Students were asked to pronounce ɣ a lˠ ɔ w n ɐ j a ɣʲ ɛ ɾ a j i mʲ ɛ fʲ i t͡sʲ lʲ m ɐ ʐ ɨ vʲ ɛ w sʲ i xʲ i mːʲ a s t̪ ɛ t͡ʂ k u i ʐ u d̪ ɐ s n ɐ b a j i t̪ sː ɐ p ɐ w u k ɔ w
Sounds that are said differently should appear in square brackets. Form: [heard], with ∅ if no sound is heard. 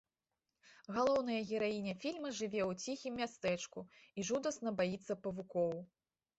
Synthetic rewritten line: ɣ a lˠ ɔ w n ɐ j [ɐ] ɣʲ ɛ ɾ a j i [nʲ] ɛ fʲ i [∅] lʲ m ɐ ʐ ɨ vʲ ɛ w [t͡sʲ] i xʲ i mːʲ a s t̪ ɛ t͡ʂ k u i ʐ u d̪ ɐ s n ɐ b a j i t̪ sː ɐ p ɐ [v] u k ɔ w